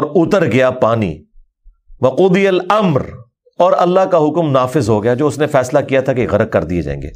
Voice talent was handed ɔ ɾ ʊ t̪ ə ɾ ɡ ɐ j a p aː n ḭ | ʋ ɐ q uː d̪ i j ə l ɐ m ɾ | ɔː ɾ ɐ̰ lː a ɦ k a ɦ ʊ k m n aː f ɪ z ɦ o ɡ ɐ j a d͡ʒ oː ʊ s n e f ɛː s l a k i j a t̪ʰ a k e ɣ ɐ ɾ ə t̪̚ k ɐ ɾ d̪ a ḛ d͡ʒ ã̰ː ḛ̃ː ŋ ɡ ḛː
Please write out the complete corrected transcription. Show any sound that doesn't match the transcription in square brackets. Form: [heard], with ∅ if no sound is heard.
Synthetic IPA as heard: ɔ ɾ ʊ t̪ ə ɾ ɡ ɐ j a p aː n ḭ | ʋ ɐ q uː d̪ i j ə l ɐ m ɾ | ɔː ɾ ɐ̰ lː a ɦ k a ɦ ʊ k m n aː f ɪ z ɦ o ɡ ɐ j a d͡ʒ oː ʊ s n e f ɛː s l a k i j a t̪ʰ a k e ɣ ɐ ɾ ə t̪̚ k ɐ ɾ d̪ [i] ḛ d͡ʒ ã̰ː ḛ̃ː ŋ ɡ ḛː